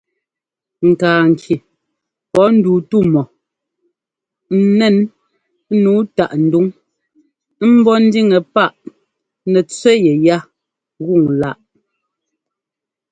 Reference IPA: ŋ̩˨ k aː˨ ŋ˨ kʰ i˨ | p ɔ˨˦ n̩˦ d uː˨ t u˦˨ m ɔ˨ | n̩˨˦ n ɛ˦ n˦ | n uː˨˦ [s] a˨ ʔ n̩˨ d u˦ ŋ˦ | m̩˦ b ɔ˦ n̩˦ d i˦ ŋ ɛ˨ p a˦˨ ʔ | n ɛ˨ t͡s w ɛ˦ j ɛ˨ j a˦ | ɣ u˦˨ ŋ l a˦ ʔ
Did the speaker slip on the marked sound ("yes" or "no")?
yes